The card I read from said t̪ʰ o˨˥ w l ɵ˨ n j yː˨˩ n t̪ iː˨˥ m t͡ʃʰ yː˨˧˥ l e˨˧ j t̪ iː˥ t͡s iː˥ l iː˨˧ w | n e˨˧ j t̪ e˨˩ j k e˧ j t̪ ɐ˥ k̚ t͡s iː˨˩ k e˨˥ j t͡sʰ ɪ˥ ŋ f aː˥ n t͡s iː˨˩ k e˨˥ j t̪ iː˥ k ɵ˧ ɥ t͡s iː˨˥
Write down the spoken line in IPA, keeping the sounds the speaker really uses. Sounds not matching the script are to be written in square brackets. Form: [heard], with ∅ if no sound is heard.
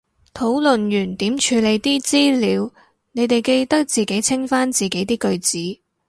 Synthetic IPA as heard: t̪ʰ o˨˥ w l ɵ˨ n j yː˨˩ n t̪ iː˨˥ m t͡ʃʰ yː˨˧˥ l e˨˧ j t̪ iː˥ t͡s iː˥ l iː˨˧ w | n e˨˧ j t̪ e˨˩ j k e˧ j t̪ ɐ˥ k̚ t͡s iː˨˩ k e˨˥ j t͡sʰ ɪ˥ ŋ f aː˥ n t͡s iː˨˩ k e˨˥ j t̪ iː˥ k ɵ˧ ɥ t͡s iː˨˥